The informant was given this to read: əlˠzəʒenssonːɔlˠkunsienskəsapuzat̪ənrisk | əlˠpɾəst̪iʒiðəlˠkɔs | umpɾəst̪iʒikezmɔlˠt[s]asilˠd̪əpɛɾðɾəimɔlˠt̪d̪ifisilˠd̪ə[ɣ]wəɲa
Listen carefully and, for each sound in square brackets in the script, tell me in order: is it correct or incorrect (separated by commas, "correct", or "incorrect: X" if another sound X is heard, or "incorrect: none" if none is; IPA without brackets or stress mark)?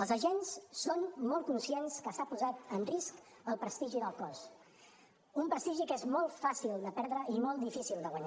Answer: incorrect: f, correct